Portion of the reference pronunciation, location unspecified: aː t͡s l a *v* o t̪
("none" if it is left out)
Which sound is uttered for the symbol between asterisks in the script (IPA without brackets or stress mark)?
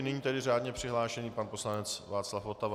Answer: f